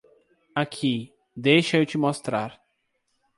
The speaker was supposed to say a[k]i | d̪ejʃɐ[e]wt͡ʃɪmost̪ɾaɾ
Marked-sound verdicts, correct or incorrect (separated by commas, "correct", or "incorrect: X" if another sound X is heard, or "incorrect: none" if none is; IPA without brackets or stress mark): incorrect: kʰ, correct